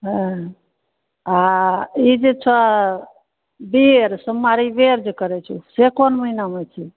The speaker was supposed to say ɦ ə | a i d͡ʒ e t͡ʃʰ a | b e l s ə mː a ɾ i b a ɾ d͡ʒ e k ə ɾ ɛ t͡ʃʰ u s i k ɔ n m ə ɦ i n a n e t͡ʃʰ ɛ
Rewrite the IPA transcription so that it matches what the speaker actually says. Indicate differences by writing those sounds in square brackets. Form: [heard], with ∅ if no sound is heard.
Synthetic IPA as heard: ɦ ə | a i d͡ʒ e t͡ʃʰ a | b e [ɾ] s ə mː a ɾ i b [e] ɾ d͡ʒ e k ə ɾ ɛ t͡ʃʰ u s [e] k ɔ n m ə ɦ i n a [m] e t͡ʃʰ [i]